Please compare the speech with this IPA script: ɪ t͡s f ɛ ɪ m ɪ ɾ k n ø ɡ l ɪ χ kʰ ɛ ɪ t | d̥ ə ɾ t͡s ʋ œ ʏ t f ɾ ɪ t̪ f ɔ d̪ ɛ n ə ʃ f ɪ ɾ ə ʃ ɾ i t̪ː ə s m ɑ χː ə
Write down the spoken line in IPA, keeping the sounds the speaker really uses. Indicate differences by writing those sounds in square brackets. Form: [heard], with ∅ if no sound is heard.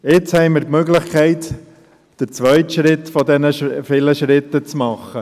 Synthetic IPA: ɪ t͡s [h] ɛ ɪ m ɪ ɾ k [m] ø ɡ l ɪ χ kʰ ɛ ɪ t | d̥ ə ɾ t͡s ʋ œ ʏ t [ʃ] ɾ ɪ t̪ f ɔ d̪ ɛ n ə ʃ f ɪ [l] ə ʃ ɾ [ɪ] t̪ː ə [t͡s] m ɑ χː ə